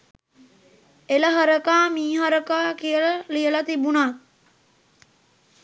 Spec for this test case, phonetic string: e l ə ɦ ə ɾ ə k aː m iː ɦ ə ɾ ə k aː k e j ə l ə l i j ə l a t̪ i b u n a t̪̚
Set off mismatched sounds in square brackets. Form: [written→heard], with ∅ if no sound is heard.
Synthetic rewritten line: e l ə ɦ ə ɾ ə k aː m iː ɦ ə ɾ ə k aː k [e→i] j ə l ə l i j ə l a t̪ i b u n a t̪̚